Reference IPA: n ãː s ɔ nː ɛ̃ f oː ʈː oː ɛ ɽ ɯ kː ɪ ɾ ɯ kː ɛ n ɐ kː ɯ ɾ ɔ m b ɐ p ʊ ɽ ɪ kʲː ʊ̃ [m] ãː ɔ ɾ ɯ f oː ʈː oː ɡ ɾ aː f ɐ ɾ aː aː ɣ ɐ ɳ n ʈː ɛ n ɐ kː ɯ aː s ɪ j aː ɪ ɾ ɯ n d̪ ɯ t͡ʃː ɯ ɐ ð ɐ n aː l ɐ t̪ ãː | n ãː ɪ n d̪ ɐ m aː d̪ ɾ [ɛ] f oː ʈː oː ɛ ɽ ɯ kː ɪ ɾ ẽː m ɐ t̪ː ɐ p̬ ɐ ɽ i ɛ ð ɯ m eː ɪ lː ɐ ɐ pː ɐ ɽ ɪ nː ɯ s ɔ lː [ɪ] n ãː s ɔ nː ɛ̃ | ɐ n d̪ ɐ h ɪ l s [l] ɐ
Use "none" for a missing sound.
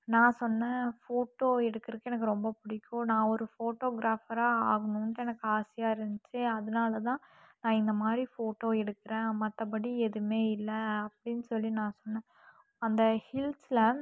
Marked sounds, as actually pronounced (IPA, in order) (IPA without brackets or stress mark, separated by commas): n, i, i, l